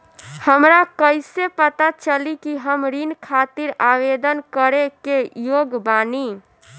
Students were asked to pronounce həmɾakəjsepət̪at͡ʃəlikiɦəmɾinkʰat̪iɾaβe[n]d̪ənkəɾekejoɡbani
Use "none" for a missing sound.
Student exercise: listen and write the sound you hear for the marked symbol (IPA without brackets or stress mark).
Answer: none